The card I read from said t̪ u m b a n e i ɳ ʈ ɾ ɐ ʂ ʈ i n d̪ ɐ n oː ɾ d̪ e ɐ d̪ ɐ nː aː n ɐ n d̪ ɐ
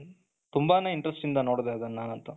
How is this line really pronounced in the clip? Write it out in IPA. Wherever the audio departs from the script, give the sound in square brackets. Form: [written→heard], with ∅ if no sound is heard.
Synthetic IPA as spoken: t̪ u m b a n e i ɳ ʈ ɾ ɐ [ʂ→s] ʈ i n d̪ ɐ n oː [ɾ→ɽ] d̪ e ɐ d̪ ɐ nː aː n ɐ n [d̪→t̪] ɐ